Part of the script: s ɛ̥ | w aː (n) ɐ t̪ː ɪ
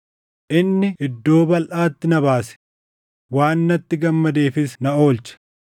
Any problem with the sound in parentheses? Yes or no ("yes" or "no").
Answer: yes